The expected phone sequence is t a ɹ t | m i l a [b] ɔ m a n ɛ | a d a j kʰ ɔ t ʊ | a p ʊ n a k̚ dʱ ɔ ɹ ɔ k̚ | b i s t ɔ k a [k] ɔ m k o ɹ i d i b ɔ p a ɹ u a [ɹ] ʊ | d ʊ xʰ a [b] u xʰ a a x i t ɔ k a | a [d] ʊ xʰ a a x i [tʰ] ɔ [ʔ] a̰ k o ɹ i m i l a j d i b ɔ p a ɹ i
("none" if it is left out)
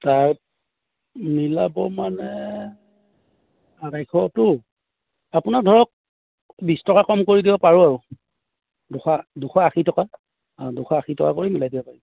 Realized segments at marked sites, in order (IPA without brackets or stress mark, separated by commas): b, k, ɹ, d, d, t, k